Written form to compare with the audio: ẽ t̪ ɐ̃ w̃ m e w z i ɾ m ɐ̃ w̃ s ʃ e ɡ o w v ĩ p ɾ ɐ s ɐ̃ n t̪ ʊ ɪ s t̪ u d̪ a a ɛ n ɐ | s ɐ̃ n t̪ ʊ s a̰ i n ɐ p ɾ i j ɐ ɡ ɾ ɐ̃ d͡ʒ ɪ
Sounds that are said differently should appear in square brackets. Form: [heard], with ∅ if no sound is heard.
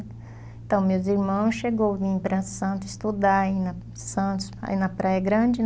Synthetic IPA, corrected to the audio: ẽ t̪ ɐ̃ w̃ m e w z i ɾ m ɐ̃ w̃ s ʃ e ɡ o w v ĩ p ɾ ɐ s ɐ̃ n t̪ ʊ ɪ s t̪ u d̪ a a [i] n ɐ | s ɐ̃ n t̪ ʊ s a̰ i n ɐ p ɾ [a] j ɐ ɡ ɾ ɐ̃ d͡ʒ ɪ